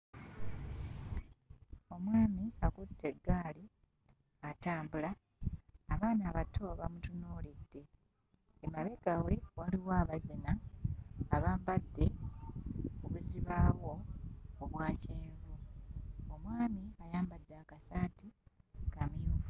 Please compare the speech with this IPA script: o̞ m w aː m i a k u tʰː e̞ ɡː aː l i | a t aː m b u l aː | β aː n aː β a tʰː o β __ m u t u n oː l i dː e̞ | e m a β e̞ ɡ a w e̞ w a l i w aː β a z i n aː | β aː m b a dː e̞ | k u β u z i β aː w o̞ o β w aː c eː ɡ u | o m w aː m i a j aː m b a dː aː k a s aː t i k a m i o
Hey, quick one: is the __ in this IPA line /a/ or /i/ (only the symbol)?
a